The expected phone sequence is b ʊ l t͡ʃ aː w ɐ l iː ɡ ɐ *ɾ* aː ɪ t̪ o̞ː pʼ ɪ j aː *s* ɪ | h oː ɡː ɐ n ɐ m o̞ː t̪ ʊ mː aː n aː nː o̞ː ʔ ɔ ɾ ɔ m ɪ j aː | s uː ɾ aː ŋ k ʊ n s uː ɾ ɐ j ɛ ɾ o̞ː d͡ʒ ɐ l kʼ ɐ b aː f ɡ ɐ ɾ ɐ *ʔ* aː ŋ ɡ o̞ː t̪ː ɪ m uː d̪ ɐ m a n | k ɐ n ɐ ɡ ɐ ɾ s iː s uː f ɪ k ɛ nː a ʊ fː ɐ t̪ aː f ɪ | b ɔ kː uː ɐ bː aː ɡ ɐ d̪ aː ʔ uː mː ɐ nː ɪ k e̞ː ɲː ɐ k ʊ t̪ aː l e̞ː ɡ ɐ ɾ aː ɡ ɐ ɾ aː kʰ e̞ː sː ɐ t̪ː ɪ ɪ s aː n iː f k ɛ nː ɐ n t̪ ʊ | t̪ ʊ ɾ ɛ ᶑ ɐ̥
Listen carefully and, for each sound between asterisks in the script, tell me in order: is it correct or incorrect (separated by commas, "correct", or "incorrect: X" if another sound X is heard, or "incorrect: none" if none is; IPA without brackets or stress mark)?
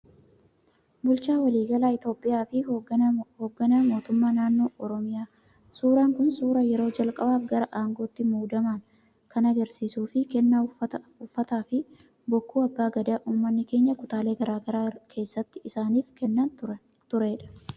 incorrect: l, incorrect: f, correct